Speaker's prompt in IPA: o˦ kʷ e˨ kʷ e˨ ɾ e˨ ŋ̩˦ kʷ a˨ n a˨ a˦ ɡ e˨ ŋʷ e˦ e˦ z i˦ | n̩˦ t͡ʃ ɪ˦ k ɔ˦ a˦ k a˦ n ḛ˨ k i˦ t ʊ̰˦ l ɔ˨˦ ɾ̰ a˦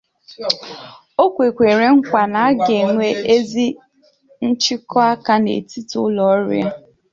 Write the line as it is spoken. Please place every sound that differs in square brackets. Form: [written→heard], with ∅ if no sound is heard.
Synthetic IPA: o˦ kʷ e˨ kʷ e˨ ɾ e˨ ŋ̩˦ kʷ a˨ n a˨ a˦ ɡ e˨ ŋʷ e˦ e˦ z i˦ | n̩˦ t͡ʃ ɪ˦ k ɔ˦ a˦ k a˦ n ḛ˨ [k→t] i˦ t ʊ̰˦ l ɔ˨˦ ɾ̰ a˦